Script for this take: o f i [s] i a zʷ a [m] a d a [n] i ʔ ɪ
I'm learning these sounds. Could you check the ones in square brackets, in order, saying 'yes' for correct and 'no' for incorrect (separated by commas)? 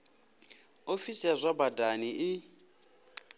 yes, no, yes